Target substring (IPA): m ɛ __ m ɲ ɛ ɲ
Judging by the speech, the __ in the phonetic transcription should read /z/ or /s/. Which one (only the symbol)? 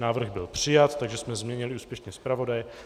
z